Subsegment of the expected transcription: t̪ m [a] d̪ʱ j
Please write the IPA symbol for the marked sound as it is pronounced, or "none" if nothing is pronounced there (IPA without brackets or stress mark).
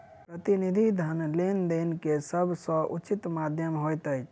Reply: a